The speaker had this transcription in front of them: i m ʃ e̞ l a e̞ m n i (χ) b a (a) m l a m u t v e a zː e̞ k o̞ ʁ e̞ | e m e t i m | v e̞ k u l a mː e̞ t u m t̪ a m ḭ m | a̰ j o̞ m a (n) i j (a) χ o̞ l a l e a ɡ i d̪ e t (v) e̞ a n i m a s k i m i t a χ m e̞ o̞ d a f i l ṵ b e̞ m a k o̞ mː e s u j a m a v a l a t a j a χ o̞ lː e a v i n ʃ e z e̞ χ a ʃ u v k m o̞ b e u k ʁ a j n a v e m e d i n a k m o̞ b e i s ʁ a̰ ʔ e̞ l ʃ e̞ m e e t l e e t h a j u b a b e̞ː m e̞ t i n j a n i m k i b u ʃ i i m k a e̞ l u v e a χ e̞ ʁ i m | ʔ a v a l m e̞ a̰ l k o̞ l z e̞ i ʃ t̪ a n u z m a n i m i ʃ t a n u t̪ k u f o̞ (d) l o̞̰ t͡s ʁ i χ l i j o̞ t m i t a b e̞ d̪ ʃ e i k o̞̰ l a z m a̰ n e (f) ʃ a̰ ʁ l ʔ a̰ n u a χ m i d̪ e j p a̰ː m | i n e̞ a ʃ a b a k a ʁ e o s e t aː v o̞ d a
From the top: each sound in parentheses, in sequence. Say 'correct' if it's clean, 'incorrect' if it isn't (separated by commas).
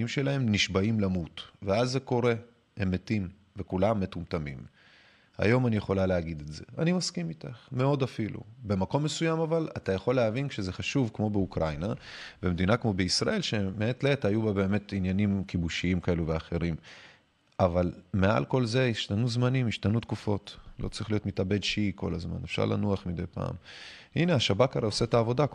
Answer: incorrect, incorrect, correct, incorrect, incorrect, incorrect, correct